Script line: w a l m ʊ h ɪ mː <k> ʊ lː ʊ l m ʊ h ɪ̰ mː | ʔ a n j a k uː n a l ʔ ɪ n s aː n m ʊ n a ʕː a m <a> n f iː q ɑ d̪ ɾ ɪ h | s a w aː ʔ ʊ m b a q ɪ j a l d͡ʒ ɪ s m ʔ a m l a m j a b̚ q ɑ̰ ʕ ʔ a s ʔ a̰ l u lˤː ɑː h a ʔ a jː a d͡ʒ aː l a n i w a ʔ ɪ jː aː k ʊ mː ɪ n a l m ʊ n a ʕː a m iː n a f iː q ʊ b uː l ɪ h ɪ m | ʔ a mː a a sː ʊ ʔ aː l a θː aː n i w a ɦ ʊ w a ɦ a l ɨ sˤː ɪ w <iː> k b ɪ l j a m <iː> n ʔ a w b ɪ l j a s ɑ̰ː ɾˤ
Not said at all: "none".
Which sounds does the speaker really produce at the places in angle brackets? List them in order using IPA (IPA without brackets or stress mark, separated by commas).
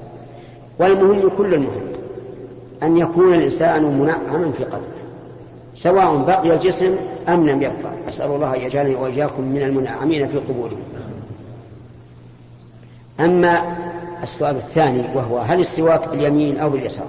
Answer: k, a, aː, iː